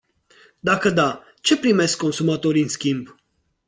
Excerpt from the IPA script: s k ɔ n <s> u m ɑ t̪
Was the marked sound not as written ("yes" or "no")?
no